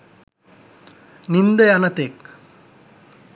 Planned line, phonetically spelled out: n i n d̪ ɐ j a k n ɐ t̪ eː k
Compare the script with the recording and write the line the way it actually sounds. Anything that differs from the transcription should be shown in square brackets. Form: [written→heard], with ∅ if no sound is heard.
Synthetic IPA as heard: n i n d̪ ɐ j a [k→∅] n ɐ t̪ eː k